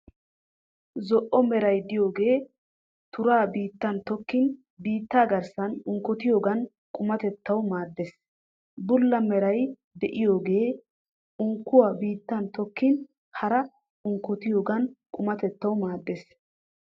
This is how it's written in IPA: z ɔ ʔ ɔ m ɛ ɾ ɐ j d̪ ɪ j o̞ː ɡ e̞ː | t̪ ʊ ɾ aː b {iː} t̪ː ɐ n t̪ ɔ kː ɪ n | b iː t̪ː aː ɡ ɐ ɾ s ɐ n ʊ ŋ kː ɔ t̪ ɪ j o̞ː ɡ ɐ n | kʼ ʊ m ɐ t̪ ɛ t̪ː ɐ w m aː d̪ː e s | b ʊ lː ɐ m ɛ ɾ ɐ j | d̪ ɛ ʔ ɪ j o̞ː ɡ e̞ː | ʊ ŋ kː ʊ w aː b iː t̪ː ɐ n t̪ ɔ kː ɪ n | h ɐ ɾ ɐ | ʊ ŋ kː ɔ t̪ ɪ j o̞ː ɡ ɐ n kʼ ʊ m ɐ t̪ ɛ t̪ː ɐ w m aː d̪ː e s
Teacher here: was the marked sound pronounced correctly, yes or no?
yes